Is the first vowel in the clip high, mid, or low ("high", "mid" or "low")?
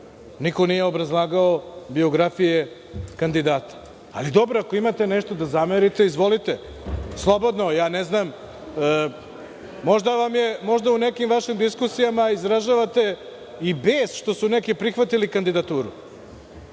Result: high